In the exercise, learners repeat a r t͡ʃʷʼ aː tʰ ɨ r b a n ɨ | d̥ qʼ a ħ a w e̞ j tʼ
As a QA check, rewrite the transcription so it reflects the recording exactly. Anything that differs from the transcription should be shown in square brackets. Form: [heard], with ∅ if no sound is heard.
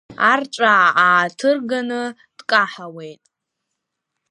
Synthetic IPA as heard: a r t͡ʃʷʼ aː tʰ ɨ r [ɡ] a n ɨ | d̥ [kʼ] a ħ a w e̞ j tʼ